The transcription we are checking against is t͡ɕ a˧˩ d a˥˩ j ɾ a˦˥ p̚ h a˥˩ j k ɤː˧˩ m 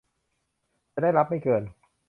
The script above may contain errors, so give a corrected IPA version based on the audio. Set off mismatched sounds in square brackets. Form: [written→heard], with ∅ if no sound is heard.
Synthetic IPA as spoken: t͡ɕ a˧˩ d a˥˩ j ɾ a˦˥ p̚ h a˥˩ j k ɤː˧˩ [m→n]